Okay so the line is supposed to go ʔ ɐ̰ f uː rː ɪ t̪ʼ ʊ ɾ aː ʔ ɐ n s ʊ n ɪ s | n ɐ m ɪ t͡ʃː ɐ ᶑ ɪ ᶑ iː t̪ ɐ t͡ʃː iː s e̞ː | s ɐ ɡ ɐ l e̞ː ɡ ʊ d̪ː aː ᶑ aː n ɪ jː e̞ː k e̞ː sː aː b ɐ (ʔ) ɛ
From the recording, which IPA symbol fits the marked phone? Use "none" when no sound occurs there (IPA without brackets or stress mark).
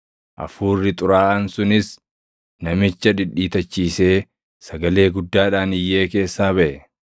ʔ